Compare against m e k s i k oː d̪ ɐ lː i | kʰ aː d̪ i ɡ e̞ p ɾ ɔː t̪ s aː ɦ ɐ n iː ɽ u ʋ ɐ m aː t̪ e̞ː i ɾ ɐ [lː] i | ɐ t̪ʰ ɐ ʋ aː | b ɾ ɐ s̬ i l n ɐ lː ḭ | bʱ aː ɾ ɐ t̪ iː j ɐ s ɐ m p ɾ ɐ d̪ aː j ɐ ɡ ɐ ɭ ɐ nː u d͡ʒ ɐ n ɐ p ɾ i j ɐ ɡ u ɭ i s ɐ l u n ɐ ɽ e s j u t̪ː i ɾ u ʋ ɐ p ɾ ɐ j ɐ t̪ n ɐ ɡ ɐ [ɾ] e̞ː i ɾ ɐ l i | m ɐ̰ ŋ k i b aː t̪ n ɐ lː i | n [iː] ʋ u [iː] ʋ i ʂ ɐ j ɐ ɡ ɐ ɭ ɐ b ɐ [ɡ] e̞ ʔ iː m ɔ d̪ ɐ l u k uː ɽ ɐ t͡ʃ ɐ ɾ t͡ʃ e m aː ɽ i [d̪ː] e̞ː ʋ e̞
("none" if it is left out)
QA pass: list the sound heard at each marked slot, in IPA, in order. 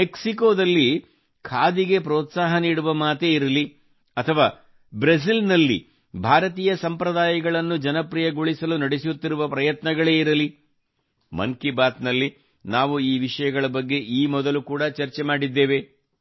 l, ɭ, aː, iː, ɡː, d̪ː

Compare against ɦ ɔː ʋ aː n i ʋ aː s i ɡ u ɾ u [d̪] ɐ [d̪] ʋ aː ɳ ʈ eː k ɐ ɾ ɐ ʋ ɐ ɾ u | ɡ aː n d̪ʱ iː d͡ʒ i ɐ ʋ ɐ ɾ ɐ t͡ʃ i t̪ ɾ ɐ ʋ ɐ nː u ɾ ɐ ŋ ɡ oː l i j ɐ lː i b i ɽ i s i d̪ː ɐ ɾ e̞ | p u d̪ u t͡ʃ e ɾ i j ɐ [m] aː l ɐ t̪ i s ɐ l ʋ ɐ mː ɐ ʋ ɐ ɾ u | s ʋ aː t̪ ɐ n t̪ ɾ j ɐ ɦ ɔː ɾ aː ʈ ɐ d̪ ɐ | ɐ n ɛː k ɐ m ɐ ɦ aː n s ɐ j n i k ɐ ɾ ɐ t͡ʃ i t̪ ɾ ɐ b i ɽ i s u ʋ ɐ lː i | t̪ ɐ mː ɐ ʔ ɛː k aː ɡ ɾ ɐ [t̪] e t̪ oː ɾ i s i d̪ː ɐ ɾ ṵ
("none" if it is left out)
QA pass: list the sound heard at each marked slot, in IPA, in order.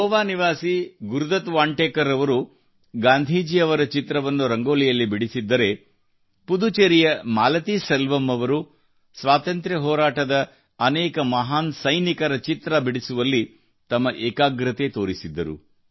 d̪, t̪, m, t̪

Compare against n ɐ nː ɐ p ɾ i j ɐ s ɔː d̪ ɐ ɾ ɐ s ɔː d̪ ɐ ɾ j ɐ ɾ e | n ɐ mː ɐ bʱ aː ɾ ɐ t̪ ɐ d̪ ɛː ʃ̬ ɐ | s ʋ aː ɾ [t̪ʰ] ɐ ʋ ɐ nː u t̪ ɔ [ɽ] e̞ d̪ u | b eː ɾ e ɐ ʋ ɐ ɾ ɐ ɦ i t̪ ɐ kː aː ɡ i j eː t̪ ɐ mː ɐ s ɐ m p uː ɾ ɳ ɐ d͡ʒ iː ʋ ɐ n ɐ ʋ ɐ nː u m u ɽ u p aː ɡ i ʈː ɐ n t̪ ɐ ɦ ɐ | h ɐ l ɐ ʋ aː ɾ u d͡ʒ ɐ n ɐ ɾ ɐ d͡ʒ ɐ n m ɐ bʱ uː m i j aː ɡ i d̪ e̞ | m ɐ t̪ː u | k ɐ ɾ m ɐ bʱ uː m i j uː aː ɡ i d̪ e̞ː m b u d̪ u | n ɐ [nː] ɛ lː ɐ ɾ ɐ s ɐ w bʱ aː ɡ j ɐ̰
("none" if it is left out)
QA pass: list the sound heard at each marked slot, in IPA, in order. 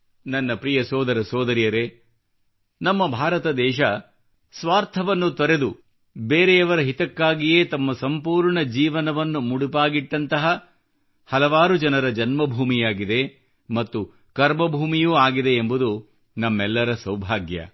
t̪ʰ, ɾ, mː

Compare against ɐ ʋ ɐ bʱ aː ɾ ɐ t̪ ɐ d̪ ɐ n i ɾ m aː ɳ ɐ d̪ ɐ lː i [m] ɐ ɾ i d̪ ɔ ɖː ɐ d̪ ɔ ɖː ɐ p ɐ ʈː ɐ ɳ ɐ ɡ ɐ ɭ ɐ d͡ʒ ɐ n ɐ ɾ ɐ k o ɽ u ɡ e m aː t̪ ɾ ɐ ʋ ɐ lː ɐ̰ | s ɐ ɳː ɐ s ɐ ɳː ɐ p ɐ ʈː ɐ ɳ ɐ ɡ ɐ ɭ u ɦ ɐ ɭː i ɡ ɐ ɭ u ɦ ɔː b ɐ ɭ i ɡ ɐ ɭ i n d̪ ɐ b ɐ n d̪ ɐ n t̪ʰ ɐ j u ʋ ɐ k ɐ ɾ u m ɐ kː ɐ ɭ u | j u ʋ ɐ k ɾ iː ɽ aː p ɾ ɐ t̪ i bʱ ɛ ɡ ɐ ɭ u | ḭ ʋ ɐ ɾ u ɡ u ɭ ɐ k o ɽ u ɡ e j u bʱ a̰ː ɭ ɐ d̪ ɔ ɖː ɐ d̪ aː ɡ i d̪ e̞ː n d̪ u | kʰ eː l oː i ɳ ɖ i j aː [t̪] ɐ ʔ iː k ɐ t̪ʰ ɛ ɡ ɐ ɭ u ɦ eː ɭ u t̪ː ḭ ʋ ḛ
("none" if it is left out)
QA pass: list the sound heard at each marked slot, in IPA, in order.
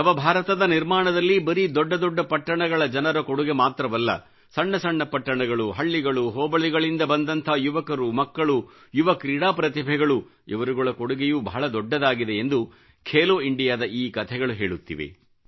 b, d̪

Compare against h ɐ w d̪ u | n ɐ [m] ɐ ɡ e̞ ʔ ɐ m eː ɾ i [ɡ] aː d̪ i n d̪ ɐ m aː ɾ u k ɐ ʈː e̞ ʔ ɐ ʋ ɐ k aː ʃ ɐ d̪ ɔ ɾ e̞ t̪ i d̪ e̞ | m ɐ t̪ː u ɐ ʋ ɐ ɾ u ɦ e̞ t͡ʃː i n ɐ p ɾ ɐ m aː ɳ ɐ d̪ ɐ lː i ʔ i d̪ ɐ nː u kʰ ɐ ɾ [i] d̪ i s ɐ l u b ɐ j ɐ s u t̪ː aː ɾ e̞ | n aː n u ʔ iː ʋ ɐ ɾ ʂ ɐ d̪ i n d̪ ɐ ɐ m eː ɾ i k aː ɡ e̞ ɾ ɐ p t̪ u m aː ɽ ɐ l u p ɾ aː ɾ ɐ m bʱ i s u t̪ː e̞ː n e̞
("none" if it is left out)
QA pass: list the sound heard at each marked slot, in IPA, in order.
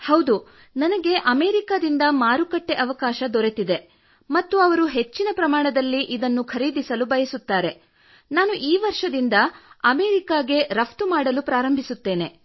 n, k, iː

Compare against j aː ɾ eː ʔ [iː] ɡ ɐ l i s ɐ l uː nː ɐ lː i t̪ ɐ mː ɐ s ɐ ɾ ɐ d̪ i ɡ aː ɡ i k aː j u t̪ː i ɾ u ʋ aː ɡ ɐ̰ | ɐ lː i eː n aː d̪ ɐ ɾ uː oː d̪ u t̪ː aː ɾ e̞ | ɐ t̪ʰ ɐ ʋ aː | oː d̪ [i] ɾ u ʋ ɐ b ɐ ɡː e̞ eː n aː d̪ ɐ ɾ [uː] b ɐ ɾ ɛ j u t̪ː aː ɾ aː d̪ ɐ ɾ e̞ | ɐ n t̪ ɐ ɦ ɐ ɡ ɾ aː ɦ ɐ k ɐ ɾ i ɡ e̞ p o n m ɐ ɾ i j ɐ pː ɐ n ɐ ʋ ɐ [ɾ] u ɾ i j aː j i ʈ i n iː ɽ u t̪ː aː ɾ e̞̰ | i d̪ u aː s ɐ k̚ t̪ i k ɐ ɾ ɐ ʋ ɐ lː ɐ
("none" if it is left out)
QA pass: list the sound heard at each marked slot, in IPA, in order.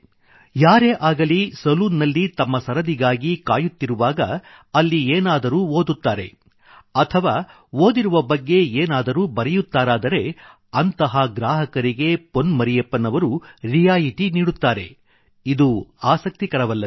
aː, i, uː, ɾ

